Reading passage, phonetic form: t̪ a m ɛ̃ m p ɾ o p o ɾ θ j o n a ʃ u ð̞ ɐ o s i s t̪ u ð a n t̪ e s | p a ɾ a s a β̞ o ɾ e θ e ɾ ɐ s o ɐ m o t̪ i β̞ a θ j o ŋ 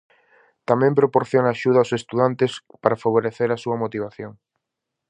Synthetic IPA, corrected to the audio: t̪ a m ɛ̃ m p ɾ o p o ɾ θ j o n a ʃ u ð̞ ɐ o s e s t̪ u ð a n t̪ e s | p a ɾ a f a β̞ o ɾ e θ e ɾ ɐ s u ɐ m o t̪ i β̞ a θ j o ŋ